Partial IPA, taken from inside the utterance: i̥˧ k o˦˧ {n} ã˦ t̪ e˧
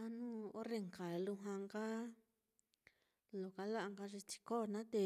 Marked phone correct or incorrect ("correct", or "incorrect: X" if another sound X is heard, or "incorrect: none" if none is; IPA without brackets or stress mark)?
correct